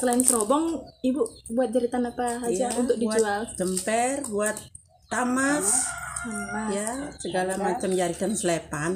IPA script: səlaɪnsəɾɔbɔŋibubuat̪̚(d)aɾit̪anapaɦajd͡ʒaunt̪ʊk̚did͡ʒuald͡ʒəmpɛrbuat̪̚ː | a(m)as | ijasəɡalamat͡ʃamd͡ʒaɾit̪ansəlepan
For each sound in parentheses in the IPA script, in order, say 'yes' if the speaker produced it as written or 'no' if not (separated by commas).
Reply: no, yes